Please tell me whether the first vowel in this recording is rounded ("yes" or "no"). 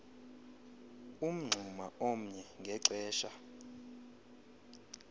yes